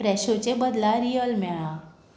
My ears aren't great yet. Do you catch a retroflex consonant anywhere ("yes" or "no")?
yes